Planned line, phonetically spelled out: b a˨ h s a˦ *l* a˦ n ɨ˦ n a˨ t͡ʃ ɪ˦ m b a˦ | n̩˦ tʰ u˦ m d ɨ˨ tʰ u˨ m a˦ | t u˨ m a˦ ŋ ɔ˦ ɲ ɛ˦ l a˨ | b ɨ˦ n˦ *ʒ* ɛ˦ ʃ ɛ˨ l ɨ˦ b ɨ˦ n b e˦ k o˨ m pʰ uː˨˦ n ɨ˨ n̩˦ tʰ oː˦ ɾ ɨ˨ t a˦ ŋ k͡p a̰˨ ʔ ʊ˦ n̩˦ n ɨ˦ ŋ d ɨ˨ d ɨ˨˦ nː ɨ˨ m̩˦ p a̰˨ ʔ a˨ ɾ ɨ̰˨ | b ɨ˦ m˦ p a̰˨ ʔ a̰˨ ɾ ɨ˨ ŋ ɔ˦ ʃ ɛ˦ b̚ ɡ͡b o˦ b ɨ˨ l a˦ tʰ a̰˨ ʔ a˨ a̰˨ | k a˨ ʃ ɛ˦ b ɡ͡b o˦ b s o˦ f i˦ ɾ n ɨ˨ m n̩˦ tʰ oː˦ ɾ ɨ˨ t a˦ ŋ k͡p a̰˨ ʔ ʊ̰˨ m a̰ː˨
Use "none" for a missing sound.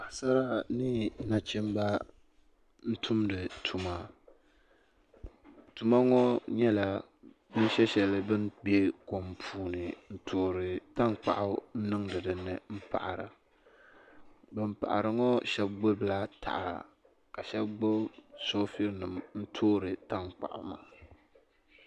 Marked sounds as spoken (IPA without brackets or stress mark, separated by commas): ɾ, ʃ